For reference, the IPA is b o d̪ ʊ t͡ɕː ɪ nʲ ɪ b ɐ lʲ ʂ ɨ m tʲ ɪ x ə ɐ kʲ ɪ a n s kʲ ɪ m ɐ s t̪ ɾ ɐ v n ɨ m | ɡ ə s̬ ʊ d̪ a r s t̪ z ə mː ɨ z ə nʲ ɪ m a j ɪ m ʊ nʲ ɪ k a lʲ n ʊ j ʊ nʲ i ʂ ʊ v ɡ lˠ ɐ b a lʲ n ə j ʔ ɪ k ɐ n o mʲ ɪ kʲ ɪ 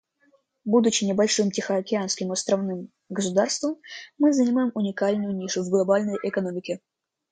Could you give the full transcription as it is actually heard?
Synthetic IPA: b u d̪ ʊ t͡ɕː ɪ nʲ ɪ b ɐ lʲ ʂ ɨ m tʲ ɪ x ə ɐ kʲ ɪ a n s kʲ ɪ m ɐ s t̪ ɾ ɐ v n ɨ m | ɡ ə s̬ ʊ d̪ a r s t̪ v ə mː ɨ z ə nʲ ɪ m a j ɪ m ʊ nʲ ɪ k a lʲ n ʊ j ʊ nʲ i ʂ ʊ v ɡ lˠ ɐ b a lʲ n ə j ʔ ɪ k ɐ n o mʲ ɪ kʲ ɪ